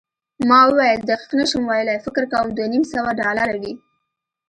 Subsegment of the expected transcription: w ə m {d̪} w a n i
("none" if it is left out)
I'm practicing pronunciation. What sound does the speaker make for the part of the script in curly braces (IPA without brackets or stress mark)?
d̪